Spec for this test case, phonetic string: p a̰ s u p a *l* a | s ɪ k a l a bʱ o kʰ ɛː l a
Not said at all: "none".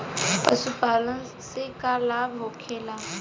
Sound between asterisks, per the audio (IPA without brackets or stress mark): l